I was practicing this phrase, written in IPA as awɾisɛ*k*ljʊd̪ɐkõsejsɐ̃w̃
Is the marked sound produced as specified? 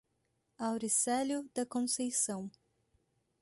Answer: no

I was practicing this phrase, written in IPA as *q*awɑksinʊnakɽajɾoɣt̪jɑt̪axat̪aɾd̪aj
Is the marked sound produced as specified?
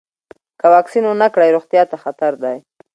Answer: no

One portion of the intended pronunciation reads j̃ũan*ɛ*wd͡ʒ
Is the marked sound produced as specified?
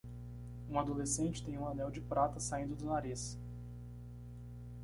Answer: yes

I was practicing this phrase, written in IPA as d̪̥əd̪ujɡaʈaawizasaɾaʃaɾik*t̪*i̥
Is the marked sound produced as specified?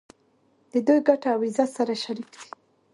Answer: no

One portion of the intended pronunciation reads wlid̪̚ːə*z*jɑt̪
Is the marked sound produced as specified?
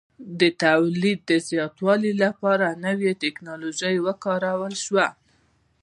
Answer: yes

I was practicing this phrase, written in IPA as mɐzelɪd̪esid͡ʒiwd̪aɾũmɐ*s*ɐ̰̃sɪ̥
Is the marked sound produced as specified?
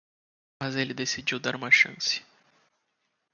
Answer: no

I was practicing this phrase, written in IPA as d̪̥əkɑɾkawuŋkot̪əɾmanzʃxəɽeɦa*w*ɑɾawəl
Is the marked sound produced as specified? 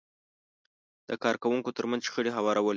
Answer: yes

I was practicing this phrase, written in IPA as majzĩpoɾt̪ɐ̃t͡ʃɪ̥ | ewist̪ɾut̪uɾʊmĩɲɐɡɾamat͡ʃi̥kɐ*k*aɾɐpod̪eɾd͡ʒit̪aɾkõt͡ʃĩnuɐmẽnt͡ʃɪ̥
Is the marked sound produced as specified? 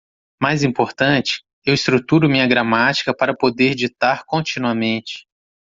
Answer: no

